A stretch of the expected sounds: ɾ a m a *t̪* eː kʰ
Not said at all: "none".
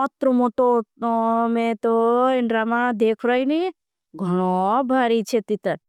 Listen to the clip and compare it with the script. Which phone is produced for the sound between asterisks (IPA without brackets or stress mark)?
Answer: d̪